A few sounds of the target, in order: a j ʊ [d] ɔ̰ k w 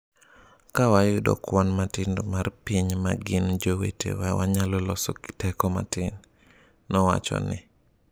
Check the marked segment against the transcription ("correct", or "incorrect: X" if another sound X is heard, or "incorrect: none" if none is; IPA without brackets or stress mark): correct